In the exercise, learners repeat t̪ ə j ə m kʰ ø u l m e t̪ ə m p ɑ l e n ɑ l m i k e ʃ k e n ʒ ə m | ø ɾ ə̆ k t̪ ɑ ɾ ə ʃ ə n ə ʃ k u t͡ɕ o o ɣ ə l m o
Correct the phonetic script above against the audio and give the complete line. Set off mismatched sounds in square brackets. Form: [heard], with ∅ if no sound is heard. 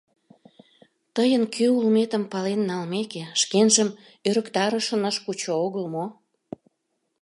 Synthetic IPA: t̪ ə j ə [n] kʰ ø u l m e t̪ ə m p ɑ l e [nː] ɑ l m [e] k e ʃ k e n ʒ ə m | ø ɾ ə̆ k t̪ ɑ ɾ ə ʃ ə n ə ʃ k u t͡ɕ o o ɣ ə l m o